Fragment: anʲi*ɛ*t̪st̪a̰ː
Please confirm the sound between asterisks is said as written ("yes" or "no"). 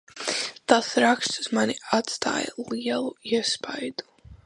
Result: no